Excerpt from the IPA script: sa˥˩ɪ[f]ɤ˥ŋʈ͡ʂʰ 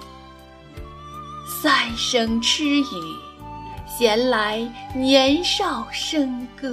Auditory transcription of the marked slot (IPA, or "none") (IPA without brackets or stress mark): ʂ